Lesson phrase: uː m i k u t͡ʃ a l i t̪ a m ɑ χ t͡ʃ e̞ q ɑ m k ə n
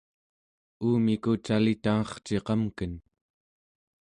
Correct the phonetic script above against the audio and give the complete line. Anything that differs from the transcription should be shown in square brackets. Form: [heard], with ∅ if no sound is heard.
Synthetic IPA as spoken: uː m i k u t͡ʃ a l i t̪ a [ŋ] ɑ χ t͡ʃ e̞ q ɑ m k ə n